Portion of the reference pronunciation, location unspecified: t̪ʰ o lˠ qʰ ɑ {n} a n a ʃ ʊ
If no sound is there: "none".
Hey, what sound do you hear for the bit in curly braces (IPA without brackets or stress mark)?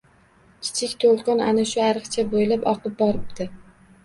n